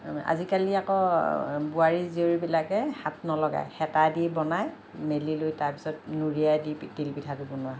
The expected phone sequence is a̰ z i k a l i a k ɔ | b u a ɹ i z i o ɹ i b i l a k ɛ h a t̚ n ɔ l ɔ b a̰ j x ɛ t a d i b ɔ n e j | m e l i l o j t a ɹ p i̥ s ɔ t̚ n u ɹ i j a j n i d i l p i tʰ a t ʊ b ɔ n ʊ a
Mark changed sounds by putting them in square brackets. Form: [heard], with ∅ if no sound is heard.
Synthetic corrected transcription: a̰ z i k a l i a k ɔ | b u a ɹ i z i o ɹ i b i l a k ɛ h a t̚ n ɔ l ɔ [ɡ] a̰ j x ɛ t a d i b ɔ n [a] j | m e l i l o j t a ɹ p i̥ s ɔ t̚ n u ɹ i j a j [d] i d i l p i tʰ a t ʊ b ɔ n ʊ a